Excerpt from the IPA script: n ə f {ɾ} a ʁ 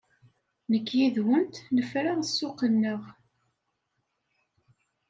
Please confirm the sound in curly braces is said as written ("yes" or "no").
yes